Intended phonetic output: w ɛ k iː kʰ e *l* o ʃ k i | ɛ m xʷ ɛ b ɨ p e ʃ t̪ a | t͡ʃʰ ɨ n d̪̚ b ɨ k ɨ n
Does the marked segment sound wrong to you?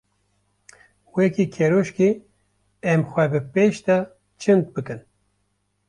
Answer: yes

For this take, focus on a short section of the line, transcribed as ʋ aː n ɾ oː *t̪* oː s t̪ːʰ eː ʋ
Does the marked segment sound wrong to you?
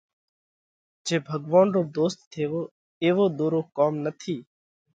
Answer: yes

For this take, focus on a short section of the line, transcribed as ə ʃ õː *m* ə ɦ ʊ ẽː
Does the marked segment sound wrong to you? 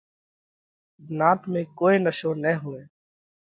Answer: yes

